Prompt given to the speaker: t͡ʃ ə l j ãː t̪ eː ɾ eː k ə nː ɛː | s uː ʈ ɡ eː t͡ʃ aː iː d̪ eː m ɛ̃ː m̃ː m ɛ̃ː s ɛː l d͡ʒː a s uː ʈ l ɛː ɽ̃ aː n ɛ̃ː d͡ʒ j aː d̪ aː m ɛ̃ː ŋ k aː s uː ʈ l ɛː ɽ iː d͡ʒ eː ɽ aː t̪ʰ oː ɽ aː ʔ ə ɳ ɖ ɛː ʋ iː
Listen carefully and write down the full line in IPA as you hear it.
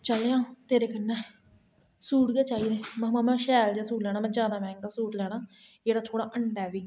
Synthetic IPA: t͡ʃ ə l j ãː t̪ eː ɾ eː k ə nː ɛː | s uː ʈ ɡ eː t͡ʃ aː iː d̪ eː m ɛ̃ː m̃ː m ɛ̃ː ʃ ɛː l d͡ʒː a s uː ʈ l ɛː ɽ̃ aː m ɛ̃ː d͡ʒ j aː d̪ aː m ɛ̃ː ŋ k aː s uː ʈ l ɛː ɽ aː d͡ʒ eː ɽ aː t̪ʰ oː ɽ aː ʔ ə ɳ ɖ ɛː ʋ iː